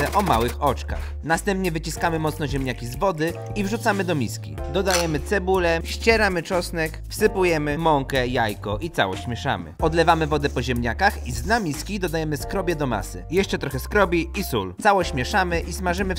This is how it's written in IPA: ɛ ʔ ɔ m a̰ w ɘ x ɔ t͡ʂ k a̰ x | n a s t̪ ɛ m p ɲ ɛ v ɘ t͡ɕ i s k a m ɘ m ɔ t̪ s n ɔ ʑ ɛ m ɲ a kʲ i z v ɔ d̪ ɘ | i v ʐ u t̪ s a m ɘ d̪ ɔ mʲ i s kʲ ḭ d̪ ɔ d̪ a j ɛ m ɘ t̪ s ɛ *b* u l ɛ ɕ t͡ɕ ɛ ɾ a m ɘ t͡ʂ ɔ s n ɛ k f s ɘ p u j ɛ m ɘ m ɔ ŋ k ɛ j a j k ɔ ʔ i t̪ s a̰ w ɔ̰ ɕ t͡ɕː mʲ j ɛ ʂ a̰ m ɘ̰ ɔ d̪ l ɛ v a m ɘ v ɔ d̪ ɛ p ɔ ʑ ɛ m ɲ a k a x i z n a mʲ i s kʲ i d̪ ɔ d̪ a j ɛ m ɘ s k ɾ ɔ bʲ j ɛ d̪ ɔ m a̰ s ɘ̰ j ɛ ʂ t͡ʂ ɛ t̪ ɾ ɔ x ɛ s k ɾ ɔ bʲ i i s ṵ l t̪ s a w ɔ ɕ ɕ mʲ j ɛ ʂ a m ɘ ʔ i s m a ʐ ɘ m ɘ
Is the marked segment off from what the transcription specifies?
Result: no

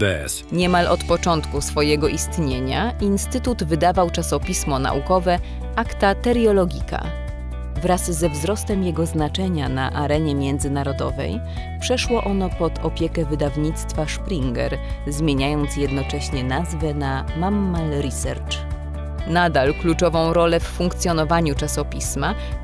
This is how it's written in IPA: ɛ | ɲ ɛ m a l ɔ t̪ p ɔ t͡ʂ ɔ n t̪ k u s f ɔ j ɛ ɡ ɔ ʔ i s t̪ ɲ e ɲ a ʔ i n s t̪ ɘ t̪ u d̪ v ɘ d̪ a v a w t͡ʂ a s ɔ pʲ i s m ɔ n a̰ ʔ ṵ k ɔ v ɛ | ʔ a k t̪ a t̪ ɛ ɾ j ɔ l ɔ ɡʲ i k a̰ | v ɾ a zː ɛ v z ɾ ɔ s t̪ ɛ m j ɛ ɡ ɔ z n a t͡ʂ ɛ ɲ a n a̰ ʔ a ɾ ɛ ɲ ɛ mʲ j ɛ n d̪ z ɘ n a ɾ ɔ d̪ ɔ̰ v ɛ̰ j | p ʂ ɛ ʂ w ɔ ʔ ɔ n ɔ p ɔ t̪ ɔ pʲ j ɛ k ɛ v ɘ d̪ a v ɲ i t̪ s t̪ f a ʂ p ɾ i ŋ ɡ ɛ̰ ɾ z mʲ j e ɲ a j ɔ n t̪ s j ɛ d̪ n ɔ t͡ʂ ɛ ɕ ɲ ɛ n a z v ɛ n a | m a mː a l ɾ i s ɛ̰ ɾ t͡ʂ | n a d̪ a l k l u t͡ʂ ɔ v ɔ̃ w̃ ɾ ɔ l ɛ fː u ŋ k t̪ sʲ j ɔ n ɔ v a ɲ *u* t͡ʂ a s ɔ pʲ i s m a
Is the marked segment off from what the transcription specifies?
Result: no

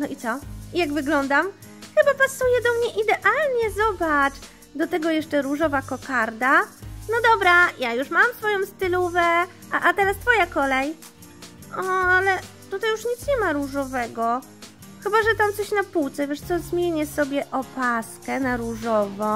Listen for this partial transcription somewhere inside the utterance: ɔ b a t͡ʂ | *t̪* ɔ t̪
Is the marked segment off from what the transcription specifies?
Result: yes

